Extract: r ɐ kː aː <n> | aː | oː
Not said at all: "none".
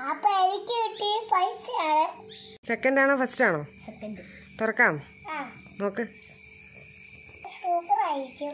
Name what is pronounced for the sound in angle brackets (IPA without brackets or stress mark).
m